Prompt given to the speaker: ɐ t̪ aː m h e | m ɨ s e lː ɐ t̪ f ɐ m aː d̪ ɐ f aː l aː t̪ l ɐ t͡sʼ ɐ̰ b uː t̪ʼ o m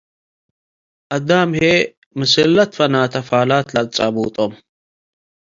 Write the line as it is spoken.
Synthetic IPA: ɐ d̪ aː m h e | m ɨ s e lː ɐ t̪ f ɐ n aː t̪ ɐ f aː l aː t̪ l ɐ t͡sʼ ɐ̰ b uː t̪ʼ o m